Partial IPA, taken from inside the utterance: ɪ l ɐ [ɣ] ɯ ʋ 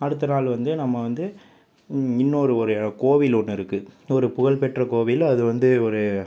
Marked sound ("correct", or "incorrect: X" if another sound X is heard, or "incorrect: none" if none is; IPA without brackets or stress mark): incorrect: ð